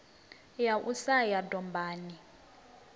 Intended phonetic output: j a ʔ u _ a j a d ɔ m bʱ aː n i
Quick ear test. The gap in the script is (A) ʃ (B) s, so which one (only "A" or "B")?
B